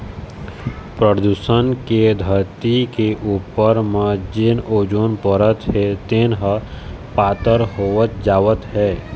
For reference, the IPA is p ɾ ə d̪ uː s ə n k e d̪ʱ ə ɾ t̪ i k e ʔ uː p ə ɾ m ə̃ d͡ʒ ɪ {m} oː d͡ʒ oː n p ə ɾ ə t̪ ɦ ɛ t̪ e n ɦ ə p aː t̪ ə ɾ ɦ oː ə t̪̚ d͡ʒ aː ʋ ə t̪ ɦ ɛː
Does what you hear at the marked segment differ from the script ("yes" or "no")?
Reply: yes